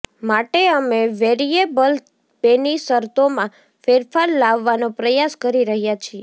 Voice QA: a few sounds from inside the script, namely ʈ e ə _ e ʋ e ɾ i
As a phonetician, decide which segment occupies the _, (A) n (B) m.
B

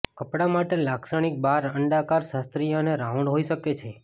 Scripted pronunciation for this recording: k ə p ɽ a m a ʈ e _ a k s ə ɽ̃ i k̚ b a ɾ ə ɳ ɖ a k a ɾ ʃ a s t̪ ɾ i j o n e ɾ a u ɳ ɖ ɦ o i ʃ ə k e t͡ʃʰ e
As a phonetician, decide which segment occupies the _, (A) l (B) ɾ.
A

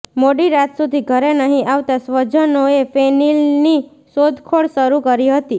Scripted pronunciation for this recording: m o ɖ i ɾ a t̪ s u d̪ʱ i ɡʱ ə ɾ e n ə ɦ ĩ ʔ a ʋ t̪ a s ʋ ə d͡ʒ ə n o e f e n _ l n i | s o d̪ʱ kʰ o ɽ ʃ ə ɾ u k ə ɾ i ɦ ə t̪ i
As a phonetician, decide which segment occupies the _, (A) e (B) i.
B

